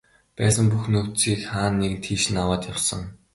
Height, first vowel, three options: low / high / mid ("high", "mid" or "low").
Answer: low